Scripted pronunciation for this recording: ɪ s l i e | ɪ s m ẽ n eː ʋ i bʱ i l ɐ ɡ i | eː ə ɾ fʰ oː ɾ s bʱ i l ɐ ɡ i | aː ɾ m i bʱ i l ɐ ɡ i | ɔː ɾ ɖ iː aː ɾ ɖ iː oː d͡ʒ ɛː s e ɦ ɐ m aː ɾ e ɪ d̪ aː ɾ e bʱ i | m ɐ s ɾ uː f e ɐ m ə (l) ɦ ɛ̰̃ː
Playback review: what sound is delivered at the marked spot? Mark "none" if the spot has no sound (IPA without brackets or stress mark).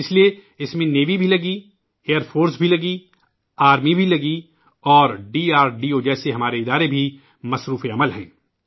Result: l